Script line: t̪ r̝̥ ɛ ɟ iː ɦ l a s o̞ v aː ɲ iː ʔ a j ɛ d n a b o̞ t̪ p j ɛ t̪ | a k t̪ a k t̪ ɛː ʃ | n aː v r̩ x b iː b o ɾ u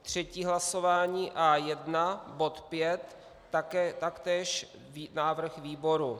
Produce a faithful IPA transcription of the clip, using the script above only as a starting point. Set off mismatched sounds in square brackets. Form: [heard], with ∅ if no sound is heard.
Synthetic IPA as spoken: t̪ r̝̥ ɛ [c] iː ɦ l a s o̞ v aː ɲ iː ʔ a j ɛ d n a b o̞ t̪ p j ɛ t̪ | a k t̪ a k t̪ ɛː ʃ | n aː v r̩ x [v] iː b o ɾ u